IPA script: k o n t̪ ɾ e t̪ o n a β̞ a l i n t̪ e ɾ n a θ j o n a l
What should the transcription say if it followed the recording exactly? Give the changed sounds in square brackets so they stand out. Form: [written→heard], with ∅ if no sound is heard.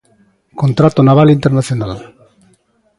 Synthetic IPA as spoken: k o n t̪ ɾ [e→a] t̪ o n a β̞ a l i n t̪ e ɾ n a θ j o n a l